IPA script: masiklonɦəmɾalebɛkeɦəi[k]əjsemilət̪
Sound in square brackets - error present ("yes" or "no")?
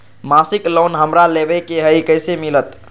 no